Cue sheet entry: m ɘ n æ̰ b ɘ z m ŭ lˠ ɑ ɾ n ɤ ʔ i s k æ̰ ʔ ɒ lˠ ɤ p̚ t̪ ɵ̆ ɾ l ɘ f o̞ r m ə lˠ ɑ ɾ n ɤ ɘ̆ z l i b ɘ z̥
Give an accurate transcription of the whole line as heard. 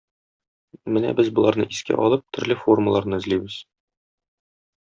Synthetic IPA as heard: m ɘ n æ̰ b ɘ z b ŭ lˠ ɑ ɾ n ɤ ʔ i s k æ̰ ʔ ɒ lˠ ɤ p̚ t̪ ɵ̆ ɾ l ɘ f o̞ r m ə lˠ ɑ ɾ n ɤ ɘ̆ z l i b ɘ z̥